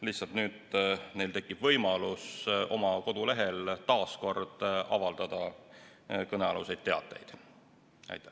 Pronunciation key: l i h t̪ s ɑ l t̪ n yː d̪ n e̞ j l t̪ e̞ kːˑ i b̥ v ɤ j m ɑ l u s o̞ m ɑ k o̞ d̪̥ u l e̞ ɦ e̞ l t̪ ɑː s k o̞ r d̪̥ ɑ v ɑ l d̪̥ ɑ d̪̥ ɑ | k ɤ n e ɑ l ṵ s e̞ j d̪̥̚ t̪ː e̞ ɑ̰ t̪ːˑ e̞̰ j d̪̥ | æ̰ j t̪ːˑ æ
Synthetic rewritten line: l i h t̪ s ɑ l t̪ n yː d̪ n e̞ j l t̪ e̞ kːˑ i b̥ v ɤ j m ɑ l u s o̞ m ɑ k o̞ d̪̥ u l e̞ ɦ e̞ l t̪ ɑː s k o̞ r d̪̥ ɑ v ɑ l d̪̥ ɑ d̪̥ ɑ | k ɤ n e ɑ l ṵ s e̞ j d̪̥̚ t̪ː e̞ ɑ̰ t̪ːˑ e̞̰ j d̪̥ | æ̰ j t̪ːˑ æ

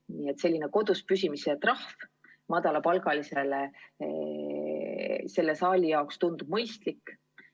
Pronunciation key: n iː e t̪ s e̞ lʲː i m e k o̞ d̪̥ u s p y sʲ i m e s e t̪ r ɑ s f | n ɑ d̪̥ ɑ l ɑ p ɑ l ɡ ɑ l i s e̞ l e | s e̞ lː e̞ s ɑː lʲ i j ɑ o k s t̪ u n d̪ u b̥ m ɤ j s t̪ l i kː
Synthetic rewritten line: n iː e t̪ s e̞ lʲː i n e k o̞ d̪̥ u s p y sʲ i m i s e t̪ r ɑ h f | m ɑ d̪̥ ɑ l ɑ p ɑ l ɡ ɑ l i s e̞ l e | s e̞ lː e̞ s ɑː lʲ i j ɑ o k s t̪ u n d̪ u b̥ m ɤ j s t̪ l i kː

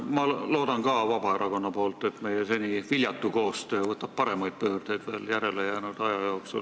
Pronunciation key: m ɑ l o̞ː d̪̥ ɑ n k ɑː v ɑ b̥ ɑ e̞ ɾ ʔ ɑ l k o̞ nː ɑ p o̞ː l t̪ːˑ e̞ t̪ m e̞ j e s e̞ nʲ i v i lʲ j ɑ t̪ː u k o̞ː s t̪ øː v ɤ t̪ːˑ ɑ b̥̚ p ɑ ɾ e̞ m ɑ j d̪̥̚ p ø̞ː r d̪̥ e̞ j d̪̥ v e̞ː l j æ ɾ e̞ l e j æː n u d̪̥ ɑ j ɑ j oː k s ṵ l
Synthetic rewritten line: m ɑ l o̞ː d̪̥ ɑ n k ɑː v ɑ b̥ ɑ e̞ ɾ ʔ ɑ k o̞ nː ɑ p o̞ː l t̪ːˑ e̞ t̪ m e̞ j e s e̞ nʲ i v i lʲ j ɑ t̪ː u k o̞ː s t̪ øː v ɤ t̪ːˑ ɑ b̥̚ p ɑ ɾ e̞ m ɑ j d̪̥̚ p ø̞ː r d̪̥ e̞ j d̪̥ v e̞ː l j æ ɾ e̞ l e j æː n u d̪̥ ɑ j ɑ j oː k s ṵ l

